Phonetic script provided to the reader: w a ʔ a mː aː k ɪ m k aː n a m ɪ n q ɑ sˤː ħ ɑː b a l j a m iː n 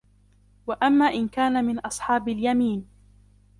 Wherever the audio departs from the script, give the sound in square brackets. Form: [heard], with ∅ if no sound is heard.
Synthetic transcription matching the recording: w a ʔ a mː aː [ʔ] ɪ [n] k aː n a m ɪ n [ʔ] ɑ [sˤ] ħ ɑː b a l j a m iː n